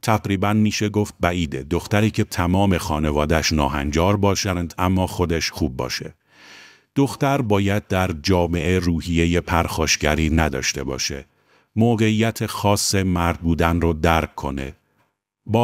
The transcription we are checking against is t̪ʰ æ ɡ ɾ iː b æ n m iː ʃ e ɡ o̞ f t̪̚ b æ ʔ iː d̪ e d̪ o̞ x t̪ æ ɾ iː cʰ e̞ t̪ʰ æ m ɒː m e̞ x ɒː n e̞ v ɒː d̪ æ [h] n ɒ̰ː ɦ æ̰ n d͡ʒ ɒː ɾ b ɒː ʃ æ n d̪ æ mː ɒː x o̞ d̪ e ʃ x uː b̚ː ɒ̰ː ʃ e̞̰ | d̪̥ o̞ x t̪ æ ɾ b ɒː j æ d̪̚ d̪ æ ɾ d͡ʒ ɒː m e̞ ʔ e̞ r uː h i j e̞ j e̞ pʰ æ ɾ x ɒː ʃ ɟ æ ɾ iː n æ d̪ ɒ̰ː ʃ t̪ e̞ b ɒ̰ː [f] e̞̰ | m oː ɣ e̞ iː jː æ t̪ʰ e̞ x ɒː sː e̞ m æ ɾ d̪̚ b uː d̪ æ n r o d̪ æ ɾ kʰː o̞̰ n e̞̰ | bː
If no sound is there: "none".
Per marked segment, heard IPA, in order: ʃ, ʃ

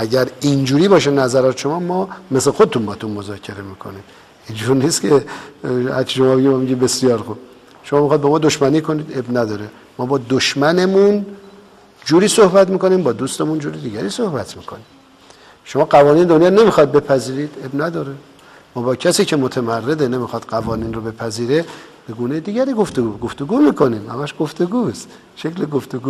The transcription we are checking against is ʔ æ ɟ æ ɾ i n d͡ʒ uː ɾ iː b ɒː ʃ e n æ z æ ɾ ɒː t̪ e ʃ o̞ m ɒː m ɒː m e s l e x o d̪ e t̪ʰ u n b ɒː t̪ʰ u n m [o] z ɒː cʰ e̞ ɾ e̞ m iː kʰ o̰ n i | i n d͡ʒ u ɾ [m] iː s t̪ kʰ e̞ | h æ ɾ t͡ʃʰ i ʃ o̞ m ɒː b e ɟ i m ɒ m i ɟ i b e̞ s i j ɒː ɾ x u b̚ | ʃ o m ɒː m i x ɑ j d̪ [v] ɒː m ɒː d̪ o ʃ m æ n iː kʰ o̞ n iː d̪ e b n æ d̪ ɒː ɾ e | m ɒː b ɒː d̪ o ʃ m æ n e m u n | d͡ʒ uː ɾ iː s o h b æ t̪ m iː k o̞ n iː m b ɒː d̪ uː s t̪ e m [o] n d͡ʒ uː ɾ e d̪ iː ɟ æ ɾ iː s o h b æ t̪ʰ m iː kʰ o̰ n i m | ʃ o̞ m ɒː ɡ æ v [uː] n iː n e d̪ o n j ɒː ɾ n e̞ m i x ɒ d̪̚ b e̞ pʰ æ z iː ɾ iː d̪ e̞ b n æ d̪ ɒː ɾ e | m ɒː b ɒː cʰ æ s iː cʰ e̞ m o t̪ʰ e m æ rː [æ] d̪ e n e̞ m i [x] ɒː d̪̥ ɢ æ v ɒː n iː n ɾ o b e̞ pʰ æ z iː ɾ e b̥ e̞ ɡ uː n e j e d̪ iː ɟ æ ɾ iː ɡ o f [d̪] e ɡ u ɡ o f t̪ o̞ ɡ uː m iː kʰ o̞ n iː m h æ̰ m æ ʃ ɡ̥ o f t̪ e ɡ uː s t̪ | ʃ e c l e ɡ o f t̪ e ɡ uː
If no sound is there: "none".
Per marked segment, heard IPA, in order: o, n, b, u, ɒː, e, x, t̪

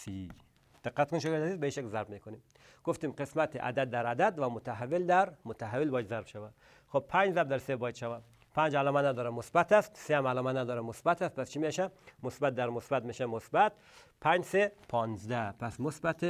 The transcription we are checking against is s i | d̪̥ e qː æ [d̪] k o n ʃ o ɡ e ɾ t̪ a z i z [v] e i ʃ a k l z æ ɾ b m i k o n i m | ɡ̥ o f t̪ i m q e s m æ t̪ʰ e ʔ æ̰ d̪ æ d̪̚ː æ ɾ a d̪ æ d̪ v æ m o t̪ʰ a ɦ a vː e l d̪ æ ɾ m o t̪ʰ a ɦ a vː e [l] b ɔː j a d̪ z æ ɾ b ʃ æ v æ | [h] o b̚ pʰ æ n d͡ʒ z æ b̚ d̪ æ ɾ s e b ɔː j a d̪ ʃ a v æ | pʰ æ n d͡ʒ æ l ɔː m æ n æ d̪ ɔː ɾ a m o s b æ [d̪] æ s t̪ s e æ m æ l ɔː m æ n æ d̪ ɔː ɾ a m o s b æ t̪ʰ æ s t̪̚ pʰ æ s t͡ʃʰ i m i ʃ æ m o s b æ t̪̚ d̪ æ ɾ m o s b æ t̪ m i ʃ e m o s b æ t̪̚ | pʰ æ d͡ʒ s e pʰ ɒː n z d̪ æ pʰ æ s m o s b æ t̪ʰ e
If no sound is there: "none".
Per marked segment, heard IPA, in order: t̪, b, l, x, t̪

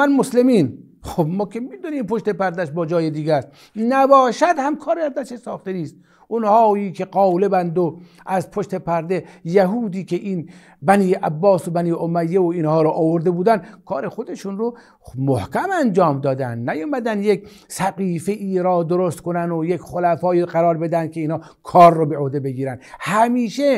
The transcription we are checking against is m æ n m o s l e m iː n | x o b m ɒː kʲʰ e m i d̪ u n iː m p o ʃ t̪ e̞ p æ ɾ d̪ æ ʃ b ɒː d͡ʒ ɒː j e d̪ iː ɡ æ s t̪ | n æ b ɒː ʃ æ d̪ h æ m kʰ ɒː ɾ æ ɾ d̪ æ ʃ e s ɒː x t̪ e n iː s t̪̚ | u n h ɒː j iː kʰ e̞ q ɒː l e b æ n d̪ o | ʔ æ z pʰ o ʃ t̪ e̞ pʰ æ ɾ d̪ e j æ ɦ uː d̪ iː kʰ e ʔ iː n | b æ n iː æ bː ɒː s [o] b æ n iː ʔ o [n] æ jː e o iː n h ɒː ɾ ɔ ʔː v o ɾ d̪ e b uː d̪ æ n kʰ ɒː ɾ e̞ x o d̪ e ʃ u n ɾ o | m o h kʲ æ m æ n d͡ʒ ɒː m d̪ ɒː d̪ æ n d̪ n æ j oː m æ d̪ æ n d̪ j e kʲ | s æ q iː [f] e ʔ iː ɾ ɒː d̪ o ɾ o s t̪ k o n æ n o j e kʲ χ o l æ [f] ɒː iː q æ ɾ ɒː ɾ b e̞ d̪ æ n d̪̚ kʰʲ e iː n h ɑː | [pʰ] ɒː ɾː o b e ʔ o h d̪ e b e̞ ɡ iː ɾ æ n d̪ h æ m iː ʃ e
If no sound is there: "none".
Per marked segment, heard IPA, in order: o, m, f, f, kʰ

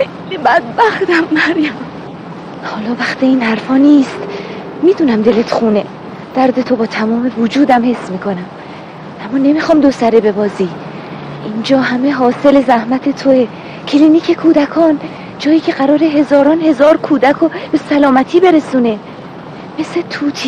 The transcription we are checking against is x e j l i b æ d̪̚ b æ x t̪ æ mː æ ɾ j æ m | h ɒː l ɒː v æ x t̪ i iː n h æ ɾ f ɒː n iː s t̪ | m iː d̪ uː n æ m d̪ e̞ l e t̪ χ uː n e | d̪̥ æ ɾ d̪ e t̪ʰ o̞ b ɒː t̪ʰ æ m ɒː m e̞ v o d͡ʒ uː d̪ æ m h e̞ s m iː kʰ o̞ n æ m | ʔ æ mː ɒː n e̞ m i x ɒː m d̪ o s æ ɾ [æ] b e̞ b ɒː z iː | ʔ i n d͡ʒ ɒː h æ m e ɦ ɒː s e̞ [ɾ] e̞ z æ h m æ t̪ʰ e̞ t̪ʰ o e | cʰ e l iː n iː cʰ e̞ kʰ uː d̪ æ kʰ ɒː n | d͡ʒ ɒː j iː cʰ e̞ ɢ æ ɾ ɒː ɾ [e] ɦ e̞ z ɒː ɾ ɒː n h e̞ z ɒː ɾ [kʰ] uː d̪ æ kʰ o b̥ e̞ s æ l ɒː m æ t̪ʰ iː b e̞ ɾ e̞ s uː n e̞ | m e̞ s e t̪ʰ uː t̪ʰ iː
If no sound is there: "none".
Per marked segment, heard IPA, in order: e, l, e, kʰ

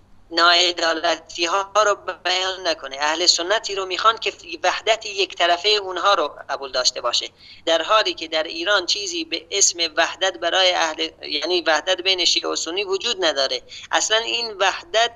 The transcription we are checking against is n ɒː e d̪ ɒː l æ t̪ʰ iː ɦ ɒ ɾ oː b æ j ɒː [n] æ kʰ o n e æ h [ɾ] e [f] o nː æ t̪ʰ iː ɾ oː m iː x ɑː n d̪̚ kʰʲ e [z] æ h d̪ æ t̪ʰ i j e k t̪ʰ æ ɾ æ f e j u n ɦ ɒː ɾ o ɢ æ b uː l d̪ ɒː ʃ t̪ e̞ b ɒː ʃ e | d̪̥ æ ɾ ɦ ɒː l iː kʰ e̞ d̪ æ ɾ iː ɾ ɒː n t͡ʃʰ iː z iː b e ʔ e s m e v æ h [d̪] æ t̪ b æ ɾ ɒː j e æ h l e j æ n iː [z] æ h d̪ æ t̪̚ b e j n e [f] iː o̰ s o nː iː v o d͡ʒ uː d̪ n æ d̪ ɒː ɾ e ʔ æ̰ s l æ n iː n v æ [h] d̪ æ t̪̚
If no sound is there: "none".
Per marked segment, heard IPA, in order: nː, l, s, v, d̪, v, ʃ, h

